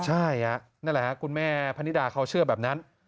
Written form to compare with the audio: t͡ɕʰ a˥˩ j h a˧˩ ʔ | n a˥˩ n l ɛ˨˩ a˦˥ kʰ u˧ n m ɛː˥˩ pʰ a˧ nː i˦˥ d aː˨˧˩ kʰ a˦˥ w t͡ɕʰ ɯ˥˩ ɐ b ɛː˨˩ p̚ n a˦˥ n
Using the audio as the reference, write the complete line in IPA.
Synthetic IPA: t͡ɕʰ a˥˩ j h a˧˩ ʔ | n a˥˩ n l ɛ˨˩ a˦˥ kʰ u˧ n m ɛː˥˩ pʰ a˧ n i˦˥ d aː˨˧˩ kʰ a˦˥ w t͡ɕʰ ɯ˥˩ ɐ b ɛː˨˩ p̚ n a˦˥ n